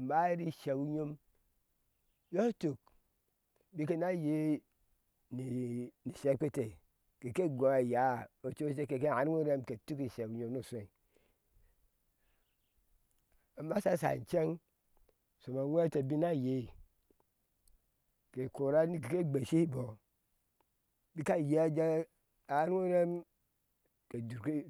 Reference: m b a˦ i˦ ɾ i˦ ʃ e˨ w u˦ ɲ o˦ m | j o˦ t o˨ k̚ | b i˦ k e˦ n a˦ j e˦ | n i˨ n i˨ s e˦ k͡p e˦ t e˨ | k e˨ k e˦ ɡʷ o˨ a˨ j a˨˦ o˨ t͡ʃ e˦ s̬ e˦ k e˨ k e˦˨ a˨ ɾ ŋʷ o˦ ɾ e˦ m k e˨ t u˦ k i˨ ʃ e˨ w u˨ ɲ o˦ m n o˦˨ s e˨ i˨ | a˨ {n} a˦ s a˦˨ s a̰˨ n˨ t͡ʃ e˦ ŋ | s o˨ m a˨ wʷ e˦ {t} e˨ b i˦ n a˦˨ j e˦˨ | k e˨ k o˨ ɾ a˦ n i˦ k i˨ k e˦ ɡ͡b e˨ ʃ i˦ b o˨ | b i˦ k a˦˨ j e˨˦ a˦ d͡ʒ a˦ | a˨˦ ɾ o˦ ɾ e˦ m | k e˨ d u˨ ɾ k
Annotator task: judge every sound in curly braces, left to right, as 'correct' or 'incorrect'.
incorrect: m, correct

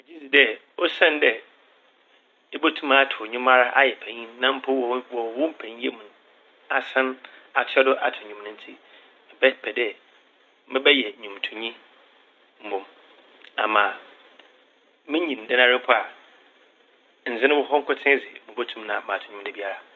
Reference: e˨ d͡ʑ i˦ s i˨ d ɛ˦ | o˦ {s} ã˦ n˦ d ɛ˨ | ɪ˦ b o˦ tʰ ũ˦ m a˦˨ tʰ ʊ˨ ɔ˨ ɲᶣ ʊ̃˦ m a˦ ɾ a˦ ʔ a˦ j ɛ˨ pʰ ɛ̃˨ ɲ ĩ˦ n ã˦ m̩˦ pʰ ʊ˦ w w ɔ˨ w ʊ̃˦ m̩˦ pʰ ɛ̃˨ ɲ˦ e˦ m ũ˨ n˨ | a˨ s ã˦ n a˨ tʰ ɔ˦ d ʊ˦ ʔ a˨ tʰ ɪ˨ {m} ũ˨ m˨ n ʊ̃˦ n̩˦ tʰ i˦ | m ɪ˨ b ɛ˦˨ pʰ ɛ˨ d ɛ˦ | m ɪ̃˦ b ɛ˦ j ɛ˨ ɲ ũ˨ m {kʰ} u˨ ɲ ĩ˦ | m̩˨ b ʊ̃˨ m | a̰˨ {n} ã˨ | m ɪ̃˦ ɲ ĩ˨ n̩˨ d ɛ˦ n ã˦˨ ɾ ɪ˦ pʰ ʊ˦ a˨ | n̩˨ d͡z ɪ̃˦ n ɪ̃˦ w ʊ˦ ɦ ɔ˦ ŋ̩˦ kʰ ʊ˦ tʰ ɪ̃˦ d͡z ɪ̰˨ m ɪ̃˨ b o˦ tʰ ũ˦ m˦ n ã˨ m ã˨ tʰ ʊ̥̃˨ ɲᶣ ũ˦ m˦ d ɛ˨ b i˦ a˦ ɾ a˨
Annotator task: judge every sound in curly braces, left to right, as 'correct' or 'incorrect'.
correct, incorrect: ɲ, incorrect: tʰ, incorrect: m

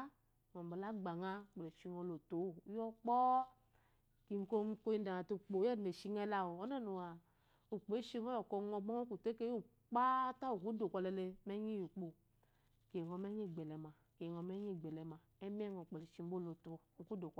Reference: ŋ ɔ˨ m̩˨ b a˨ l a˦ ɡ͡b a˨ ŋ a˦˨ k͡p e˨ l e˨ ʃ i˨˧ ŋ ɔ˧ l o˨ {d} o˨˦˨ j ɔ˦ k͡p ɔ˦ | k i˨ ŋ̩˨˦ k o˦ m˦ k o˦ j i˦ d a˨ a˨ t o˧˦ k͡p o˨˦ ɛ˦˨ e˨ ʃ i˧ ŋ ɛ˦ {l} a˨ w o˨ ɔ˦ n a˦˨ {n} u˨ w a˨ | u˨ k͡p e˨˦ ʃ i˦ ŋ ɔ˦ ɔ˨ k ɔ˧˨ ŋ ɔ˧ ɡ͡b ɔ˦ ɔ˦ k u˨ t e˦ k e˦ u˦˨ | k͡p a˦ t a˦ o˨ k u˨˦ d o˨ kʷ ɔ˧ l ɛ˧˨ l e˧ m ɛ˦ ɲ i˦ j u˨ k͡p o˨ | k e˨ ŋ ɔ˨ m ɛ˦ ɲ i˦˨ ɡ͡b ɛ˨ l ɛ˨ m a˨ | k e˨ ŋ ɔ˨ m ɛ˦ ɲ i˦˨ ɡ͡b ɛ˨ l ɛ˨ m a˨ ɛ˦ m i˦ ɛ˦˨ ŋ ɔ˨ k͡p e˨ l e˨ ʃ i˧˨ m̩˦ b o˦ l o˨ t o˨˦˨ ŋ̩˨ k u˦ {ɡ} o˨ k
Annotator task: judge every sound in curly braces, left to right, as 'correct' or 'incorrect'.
incorrect: t, correct, correct, incorrect: d

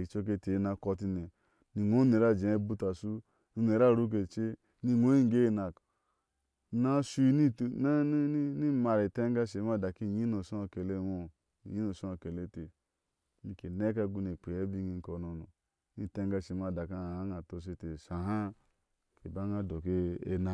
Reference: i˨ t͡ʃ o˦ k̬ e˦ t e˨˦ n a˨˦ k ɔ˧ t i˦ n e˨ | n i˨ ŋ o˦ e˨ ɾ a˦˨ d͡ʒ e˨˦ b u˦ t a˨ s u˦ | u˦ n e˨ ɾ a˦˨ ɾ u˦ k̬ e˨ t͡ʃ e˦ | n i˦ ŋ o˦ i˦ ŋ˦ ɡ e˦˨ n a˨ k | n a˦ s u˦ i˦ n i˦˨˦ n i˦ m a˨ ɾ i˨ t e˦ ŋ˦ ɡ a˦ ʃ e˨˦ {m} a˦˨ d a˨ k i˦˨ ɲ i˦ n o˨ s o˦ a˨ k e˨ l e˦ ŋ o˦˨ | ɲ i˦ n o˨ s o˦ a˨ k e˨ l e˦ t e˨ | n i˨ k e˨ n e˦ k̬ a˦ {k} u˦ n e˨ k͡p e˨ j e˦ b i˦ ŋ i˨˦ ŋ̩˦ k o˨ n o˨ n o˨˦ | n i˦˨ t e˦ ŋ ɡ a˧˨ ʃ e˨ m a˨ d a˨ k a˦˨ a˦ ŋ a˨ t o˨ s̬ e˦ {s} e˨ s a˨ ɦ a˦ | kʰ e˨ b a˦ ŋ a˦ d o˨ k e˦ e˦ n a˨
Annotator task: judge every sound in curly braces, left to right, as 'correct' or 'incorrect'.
correct, incorrect: ɡ, incorrect: t

